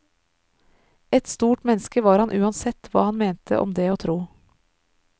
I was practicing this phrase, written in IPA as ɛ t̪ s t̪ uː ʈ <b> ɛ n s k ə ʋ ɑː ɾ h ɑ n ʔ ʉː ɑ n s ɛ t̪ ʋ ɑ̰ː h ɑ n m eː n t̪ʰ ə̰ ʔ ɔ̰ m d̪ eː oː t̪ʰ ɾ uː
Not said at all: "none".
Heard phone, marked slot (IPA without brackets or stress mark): m